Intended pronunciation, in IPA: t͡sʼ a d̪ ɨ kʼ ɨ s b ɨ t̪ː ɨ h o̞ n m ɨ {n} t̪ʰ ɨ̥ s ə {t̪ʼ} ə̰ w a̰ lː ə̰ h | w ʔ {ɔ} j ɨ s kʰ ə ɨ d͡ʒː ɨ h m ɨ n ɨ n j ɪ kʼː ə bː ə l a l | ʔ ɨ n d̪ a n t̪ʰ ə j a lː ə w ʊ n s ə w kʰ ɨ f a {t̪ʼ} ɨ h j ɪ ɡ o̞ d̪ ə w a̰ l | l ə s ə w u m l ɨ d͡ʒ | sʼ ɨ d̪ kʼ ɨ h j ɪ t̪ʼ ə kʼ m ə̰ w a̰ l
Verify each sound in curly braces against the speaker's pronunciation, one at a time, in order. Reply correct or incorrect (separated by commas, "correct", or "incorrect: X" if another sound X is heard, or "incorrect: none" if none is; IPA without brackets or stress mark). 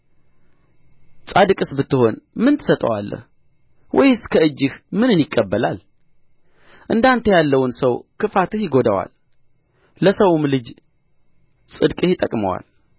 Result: correct, correct, correct, incorrect: t̪